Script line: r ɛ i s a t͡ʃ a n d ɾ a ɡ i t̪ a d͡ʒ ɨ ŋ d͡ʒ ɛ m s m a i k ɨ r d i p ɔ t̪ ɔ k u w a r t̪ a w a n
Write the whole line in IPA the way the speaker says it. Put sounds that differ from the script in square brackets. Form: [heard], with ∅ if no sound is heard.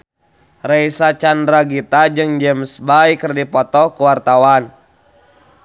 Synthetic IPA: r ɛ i s a t͡ʃ a n d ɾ a ɡ i t̪ a d͡ʒ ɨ ŋ d͡ʒ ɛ m s [b] a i k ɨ r d i p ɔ t̪ ɔ k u w a r t̪ a w a n